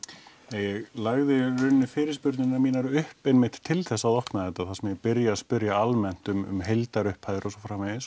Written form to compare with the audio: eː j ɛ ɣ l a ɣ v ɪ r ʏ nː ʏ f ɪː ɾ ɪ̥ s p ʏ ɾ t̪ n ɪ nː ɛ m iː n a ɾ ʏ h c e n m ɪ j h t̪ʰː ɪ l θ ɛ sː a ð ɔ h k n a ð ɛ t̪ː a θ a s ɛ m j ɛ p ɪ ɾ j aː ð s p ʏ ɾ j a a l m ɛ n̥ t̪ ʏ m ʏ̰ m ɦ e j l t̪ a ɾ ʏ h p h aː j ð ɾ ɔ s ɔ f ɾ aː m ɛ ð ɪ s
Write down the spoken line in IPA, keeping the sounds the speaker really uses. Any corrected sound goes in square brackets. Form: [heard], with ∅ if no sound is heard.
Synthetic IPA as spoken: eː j ɛ ɣ l a ɣ [ð] ɪ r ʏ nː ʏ f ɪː ɾ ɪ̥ s p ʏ ɾ t̪ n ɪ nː [a] m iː n a ɾ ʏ h [p] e n m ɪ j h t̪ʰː ɪ l θ ɛ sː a ð ɔ h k n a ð ɛ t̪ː a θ a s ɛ m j ɛ p ɪ ɾ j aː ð s p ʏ ɾ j a a l m ɛ n̥ t̪ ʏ m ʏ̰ m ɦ e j l t̪ a ɾ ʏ h p h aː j ð ɾ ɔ s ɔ f ɾ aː m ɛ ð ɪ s